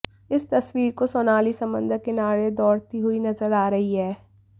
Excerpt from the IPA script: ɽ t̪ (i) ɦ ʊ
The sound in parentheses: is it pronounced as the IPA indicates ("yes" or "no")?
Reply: yes